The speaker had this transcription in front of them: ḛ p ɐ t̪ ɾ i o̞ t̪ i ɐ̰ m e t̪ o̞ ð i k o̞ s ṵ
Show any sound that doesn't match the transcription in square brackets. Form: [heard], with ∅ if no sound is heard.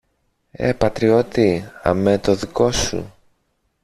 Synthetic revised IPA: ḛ p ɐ t̪ ɾ i o̞ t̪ i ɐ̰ m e t̪ o̞ ð i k o̞ s ṵ